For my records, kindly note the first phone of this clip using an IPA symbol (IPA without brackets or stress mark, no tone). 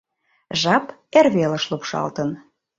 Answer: ʒ